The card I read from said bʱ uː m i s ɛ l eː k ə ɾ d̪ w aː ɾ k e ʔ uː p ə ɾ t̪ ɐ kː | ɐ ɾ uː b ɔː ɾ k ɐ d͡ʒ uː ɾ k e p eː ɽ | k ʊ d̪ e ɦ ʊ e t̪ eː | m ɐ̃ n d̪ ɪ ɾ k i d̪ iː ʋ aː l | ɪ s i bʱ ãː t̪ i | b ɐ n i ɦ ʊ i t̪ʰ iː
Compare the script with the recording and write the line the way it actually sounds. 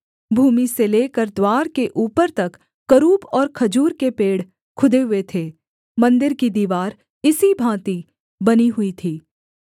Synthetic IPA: bʱ uː m i s e l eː k ə ɾ d̪ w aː ɾ k e ʔ uː p ə ɾ t̪ ɐ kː | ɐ ɾ uː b ɔː ɾ kʰ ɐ d͡ʒ uː ɾ k e p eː ɽ | kʰ ʊ d̪ e ɦ ʊ e t̪ʰ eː | m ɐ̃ n d̪ ɪ ɾ k i d̪ iː ʋ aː ɾ | ɪ s i bʱ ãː t̪ i | b ɐ n i ɦ ʊ i t̪ʰ iː